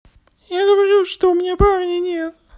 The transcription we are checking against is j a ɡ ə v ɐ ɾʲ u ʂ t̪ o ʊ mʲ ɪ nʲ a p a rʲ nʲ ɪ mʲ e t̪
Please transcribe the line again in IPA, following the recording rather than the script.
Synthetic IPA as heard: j a ɡ ə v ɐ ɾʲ u ʂ t̪ o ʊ mʲ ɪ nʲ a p a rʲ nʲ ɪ nʲ e t̪